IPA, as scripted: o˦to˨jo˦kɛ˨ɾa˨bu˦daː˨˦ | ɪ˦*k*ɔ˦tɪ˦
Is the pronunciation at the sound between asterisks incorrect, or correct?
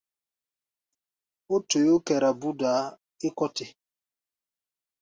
correct